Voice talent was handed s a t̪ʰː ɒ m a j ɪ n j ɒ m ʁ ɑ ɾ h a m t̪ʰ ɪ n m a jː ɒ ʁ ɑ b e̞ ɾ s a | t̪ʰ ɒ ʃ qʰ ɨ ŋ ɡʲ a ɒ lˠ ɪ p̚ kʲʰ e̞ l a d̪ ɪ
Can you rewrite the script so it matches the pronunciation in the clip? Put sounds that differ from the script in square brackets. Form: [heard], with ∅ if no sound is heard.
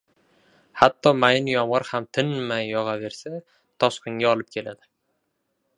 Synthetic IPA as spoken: [h] a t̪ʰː ɒ m a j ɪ n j ɒ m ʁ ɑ ɾ h a m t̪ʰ ɪ n m a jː ɒ ʁ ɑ [v] e̞ ɾ s a | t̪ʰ ɒ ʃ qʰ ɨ ŋ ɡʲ a ɒ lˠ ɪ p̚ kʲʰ e̞ l a d̪ ɪ